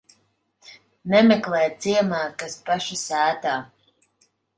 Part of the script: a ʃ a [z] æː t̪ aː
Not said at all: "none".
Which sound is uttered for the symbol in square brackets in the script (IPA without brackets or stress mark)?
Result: s